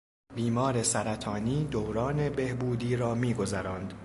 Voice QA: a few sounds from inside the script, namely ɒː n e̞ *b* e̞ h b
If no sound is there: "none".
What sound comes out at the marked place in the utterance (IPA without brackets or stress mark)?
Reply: b